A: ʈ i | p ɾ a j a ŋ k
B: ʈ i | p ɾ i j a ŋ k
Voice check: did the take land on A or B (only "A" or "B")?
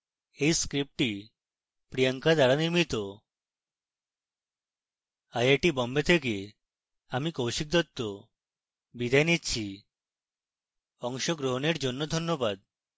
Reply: B